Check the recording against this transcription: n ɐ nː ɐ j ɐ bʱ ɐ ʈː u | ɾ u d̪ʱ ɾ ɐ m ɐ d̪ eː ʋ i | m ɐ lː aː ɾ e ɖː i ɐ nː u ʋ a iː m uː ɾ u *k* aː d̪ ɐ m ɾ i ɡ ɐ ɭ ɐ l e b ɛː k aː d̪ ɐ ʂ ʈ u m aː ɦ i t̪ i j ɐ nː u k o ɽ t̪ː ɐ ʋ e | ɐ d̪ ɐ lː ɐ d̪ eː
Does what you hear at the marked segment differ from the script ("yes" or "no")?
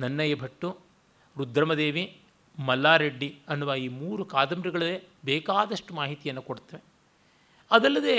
no